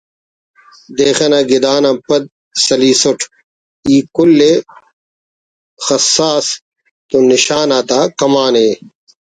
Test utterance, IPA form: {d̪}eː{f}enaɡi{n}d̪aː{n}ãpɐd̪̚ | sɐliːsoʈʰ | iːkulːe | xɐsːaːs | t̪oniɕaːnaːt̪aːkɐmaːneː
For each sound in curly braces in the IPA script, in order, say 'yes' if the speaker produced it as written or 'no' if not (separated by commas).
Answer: yes, no, no, yes